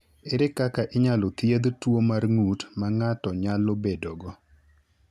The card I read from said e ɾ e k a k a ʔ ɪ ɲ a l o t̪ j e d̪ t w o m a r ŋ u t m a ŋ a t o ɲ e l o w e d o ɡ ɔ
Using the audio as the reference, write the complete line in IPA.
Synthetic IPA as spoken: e ɾ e k a k a ʔ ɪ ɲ a l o t̪ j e d̪ t w o m a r ŋ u t m a ŋ a t ɔ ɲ a l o b e d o ɡ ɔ